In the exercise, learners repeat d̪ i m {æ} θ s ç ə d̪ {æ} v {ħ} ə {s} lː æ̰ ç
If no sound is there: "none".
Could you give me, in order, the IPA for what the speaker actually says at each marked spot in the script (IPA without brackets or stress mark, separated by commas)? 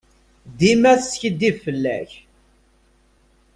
æ, i, f, none